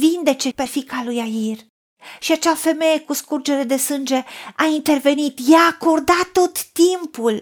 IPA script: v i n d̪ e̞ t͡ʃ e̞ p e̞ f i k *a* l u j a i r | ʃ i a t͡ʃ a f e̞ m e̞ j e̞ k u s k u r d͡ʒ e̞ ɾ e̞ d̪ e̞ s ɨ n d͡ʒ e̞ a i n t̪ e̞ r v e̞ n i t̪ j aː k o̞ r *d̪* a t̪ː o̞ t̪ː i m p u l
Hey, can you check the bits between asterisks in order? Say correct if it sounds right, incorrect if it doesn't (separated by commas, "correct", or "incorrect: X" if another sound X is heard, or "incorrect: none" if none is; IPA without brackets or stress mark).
correct, correct